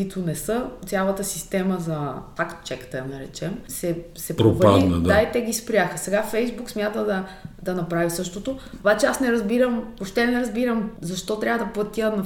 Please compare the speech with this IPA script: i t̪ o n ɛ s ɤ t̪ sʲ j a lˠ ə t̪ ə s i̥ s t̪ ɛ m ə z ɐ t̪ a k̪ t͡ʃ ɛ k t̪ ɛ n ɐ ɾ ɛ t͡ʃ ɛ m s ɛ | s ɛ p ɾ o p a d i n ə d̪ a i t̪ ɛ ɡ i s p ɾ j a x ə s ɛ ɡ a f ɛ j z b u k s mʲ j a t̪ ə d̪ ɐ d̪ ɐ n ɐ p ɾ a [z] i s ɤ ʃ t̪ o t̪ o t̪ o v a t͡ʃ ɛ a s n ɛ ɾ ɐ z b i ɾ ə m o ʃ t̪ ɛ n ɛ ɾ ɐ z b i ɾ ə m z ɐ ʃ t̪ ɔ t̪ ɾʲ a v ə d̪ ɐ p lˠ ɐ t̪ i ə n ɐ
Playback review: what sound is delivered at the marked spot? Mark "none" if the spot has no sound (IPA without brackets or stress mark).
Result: v